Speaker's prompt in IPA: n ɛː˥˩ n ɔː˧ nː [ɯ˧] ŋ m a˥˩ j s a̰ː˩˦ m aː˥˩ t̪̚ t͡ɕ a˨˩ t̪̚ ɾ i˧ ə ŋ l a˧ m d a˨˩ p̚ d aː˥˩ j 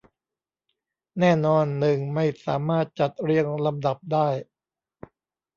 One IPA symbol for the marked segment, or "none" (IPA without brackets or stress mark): ɯ˨˩